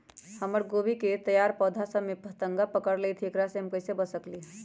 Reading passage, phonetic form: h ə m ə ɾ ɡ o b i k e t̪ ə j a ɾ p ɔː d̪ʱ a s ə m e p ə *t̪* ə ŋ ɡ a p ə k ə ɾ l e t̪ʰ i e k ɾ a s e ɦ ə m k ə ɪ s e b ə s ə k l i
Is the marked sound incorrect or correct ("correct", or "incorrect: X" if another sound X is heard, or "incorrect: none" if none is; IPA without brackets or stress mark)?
correct